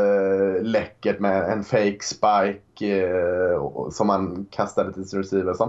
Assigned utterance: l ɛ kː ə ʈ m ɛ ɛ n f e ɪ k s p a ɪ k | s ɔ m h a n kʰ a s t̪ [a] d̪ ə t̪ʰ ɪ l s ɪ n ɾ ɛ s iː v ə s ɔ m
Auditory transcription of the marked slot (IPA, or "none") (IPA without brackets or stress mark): a